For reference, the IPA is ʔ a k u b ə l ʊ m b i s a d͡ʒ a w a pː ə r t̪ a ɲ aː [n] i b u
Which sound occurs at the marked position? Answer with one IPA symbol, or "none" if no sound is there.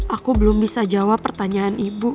n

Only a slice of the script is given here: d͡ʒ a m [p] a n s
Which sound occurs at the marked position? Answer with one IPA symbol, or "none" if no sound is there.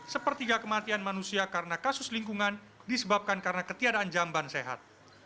b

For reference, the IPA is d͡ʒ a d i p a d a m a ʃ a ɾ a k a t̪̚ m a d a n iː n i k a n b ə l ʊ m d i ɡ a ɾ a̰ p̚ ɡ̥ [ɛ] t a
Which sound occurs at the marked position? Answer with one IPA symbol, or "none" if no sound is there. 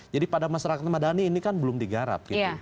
i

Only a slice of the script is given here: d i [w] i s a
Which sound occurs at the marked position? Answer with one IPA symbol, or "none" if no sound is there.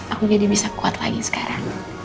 b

